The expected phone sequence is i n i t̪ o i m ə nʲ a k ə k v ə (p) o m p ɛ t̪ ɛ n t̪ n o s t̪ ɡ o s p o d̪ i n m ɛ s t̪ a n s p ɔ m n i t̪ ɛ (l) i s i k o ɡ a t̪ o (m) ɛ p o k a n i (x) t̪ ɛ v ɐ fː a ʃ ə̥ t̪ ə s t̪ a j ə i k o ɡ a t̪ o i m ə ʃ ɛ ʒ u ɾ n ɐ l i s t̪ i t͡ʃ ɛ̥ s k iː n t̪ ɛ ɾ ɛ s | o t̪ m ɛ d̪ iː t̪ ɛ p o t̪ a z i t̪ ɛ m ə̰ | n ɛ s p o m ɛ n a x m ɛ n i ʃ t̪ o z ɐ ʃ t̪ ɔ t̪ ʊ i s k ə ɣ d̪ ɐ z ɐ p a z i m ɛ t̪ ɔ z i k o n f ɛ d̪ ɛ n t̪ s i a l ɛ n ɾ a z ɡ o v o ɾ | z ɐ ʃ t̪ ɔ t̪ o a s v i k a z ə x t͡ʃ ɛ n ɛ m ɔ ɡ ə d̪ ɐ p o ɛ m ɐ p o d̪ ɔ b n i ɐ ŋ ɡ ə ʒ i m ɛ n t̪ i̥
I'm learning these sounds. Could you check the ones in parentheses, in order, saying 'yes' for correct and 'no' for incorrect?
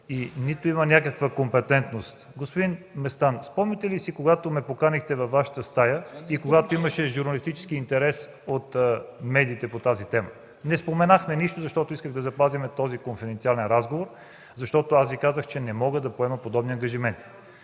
no, yes, yes, yes

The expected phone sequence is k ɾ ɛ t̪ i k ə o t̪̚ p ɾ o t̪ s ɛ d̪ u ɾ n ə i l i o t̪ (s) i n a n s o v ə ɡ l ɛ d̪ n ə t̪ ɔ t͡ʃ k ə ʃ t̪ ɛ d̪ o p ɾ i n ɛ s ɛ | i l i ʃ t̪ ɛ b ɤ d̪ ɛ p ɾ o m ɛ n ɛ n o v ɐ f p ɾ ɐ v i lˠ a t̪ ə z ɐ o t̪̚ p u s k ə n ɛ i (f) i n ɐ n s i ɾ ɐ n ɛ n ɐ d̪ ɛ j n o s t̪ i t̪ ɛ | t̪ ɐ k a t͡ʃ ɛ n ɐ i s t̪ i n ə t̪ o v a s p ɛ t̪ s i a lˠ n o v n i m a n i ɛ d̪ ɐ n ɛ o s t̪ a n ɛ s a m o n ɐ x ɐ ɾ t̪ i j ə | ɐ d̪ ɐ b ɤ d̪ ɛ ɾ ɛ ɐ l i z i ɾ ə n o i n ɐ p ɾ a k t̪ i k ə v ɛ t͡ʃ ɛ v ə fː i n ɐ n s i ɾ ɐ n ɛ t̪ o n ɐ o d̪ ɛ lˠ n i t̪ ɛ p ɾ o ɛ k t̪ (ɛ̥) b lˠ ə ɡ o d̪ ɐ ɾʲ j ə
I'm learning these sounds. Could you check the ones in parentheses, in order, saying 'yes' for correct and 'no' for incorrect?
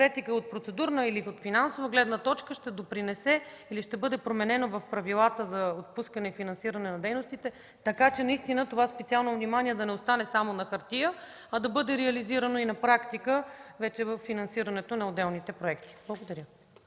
no, yes, no

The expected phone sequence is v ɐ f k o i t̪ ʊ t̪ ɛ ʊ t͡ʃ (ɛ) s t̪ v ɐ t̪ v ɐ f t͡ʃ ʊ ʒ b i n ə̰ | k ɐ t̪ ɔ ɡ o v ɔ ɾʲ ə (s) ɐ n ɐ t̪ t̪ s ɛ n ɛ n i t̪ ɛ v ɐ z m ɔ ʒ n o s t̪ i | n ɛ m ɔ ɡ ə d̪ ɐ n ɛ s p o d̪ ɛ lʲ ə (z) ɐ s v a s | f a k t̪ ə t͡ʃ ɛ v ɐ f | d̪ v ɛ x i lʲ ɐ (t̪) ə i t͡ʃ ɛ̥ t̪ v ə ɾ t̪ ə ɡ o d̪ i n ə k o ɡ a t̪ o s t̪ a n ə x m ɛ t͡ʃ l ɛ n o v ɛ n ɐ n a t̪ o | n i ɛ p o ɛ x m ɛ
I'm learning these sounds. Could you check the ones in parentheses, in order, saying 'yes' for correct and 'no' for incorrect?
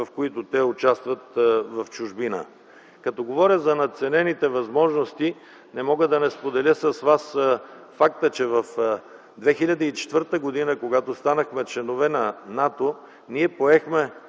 no, no, no, no

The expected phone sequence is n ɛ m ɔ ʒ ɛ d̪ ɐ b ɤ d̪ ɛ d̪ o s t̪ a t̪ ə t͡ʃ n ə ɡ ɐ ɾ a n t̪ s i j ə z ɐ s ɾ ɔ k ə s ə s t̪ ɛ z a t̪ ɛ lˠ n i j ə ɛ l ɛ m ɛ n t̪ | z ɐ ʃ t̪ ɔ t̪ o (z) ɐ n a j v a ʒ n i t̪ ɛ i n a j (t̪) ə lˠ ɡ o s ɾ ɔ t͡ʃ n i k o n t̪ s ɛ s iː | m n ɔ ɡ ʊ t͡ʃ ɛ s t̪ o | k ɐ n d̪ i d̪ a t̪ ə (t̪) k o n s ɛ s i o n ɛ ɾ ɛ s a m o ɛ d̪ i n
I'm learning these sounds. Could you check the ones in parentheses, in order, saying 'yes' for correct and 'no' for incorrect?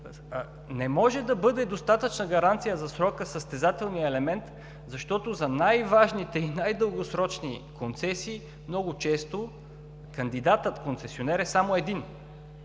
yes, no, yes

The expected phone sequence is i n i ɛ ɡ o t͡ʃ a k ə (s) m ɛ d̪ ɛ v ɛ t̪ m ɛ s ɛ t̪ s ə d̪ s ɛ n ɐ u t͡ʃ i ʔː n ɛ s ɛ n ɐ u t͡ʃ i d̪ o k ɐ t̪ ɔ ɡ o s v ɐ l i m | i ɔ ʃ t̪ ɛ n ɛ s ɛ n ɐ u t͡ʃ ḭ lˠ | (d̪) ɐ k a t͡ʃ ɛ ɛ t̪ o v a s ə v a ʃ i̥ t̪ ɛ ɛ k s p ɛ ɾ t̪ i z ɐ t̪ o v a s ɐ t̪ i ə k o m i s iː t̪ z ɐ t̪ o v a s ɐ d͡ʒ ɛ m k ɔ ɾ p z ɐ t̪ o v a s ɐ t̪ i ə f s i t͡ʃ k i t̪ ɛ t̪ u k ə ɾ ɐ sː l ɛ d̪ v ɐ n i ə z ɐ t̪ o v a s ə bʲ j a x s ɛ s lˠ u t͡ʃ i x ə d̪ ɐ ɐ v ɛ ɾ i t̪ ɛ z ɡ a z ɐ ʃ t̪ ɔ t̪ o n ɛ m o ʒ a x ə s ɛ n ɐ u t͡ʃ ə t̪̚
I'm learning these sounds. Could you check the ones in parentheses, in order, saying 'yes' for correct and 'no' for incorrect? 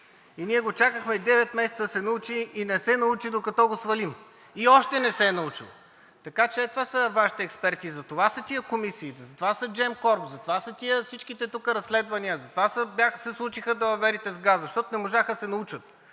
no, no

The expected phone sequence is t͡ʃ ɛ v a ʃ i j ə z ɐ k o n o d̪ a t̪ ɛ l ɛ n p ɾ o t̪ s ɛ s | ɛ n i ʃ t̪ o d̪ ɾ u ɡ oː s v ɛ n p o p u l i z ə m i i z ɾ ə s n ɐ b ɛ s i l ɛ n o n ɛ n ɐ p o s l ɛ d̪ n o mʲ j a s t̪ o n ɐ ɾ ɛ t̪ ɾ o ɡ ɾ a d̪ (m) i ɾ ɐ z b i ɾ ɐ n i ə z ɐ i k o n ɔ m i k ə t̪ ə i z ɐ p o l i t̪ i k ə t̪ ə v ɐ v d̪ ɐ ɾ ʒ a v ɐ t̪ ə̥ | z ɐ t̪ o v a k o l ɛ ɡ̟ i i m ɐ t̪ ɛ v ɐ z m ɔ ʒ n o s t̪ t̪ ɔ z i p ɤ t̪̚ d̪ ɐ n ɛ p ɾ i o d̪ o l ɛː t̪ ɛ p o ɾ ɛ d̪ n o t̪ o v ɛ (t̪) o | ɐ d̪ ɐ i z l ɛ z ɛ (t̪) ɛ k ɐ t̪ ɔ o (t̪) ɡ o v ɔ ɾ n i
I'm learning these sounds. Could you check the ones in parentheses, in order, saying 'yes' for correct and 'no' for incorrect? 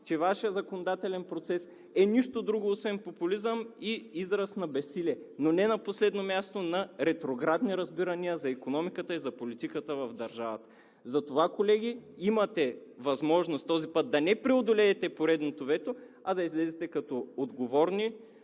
no, yes, yes, no

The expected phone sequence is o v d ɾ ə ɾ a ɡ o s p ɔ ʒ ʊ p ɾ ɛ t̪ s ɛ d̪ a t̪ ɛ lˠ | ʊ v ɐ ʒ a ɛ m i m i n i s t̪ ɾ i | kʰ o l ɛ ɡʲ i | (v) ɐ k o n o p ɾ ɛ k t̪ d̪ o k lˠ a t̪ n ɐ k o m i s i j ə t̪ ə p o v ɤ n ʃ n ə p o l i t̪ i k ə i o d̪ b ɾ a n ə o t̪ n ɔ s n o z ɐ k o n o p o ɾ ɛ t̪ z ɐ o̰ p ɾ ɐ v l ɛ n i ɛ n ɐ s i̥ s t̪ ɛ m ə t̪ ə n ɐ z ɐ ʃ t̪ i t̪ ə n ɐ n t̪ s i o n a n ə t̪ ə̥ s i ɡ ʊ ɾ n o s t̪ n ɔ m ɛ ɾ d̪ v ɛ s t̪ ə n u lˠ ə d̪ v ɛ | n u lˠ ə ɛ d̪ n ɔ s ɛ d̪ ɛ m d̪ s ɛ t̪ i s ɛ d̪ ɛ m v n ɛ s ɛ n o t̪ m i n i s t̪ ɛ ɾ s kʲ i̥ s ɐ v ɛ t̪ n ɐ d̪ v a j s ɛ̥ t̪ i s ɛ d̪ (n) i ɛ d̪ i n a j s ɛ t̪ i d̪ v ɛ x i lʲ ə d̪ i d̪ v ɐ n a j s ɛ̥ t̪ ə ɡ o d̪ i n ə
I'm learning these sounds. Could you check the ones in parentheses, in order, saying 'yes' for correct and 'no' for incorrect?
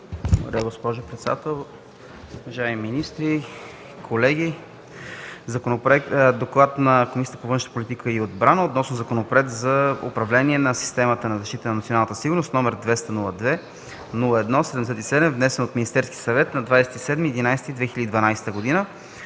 no, no

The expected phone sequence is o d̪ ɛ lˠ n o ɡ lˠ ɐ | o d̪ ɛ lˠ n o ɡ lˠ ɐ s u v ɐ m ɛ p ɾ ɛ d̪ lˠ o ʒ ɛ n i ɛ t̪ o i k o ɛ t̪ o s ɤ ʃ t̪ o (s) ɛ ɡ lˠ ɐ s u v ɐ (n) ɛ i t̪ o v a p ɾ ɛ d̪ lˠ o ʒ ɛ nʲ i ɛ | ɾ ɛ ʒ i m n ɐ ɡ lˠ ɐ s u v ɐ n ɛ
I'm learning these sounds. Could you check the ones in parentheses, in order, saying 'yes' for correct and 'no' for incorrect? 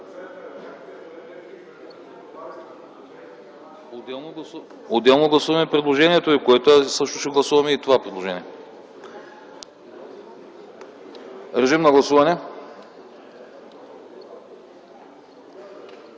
no, no

